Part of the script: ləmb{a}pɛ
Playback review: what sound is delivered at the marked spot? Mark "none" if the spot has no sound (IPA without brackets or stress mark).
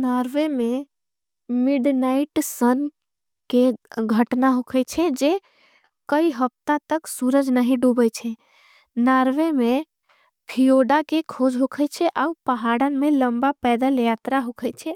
a